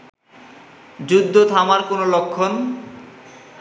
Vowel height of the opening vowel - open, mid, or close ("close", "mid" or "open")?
close